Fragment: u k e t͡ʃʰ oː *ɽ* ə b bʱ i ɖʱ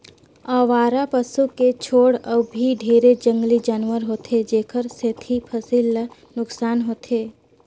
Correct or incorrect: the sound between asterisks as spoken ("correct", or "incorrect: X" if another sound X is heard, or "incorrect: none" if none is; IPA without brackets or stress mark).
correct